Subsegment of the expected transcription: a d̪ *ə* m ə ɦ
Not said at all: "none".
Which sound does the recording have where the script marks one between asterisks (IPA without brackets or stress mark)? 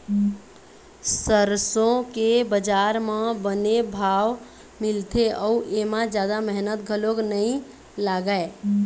a